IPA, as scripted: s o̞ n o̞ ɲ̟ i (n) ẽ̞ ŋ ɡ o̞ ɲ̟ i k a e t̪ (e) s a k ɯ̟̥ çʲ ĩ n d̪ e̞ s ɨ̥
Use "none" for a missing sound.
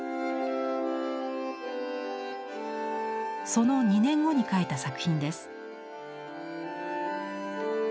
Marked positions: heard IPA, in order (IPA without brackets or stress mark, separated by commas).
n, a